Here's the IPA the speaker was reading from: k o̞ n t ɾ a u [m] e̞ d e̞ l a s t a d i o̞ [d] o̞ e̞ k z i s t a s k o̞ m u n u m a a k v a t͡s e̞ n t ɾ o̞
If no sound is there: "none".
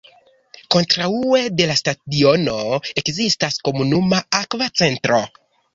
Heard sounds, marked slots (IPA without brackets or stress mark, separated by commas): none, n